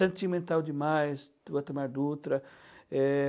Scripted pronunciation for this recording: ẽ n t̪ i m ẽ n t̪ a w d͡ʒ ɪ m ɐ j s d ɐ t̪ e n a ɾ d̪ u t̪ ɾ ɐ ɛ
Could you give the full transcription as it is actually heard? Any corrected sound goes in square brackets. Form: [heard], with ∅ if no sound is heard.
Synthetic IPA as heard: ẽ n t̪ i m ẽ n t̪ a w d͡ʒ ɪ m [a] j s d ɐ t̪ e [m] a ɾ d̪ u t̪ ɾ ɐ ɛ